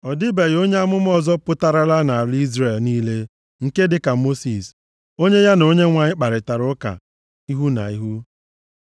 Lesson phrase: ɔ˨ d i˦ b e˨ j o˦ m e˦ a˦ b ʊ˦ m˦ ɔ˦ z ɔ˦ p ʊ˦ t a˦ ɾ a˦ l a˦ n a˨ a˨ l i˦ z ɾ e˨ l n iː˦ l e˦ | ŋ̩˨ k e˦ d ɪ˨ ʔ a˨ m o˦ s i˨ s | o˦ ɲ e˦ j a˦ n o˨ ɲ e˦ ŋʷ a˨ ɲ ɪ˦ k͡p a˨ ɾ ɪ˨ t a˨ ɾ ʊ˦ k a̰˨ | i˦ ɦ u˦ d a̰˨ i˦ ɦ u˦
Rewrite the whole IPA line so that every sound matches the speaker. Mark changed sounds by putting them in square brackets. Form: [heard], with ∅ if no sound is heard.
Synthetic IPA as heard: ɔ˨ d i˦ b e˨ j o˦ [ɲ] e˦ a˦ [m] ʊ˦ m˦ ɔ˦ z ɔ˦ p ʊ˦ t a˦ ɾ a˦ l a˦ n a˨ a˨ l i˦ z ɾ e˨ l n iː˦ l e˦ | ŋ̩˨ k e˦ d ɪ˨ [k] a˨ m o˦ s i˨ s | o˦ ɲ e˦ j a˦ n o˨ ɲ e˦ ŋʷ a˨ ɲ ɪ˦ k͡p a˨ ɾ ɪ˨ t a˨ ɾ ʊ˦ k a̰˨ | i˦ ɦ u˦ [n] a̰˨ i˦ ɦ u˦